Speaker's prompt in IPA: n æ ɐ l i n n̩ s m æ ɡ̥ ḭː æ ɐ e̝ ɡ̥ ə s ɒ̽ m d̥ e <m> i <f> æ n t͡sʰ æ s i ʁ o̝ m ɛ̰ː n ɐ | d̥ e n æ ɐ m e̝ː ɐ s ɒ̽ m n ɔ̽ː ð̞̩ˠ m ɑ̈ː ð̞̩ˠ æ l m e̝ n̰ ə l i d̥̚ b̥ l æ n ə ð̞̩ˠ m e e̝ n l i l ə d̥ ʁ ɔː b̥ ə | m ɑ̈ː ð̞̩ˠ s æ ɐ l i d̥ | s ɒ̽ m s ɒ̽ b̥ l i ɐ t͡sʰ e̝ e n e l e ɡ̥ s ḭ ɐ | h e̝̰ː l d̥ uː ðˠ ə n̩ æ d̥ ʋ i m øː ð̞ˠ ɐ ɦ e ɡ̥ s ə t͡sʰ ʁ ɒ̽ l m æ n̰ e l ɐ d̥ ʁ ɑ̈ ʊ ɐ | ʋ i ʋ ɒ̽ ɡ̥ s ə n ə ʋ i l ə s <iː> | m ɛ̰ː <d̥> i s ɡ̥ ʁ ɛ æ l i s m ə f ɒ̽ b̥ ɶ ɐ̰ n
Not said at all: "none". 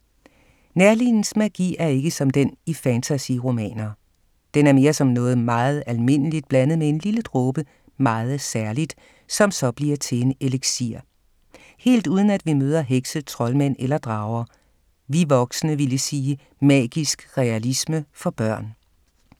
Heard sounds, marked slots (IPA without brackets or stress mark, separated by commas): n, f, iː, ɡ̥